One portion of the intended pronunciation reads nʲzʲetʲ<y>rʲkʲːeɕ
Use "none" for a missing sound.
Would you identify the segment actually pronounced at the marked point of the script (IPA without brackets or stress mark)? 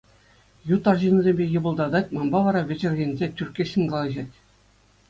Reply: y